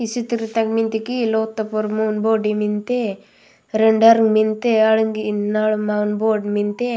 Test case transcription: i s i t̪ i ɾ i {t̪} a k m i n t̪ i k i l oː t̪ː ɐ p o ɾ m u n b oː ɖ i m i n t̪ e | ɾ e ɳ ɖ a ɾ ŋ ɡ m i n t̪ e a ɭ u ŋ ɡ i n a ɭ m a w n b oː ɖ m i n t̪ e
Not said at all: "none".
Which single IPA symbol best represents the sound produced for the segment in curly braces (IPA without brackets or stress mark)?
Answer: t̪